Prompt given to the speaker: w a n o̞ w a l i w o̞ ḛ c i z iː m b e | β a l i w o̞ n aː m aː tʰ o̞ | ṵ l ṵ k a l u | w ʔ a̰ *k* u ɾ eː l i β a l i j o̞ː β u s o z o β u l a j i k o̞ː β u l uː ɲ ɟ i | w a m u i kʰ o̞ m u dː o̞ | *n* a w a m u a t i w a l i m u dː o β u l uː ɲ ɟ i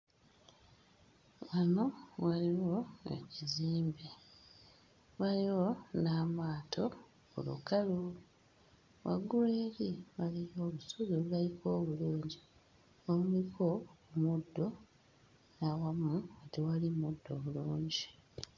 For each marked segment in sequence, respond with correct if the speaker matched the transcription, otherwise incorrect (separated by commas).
incorrect, correct